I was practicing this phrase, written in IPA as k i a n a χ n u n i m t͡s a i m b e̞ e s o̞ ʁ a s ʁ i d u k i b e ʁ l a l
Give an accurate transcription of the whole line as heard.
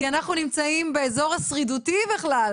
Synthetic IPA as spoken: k i a n a χ n u n i m t͡s a i m b e̞ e z o̞ ʁ a s ʁ i d u t i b e χ l a l